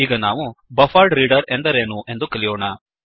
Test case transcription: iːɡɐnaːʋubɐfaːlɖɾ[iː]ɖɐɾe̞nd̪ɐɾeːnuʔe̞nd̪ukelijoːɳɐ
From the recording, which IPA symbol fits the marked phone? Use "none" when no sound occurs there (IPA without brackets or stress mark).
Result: iː